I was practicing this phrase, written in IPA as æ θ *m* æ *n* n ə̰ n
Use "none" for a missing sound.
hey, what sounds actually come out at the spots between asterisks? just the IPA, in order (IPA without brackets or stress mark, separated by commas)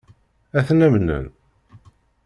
n, m